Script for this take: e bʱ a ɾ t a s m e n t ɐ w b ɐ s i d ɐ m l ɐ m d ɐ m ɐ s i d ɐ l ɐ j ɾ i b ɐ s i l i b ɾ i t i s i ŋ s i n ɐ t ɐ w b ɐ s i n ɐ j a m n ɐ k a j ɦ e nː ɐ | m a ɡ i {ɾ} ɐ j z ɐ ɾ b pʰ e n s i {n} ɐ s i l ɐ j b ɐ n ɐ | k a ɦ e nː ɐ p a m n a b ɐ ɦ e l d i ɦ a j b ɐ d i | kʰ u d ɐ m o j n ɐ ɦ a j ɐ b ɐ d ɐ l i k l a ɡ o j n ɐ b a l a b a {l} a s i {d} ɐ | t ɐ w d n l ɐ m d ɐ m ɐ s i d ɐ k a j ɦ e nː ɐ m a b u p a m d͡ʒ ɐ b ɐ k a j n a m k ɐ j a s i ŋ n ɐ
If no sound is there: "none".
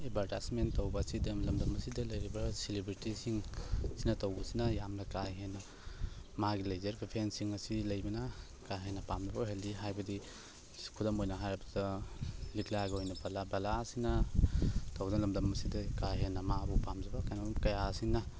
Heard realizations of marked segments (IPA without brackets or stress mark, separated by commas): l, ŋ, l, n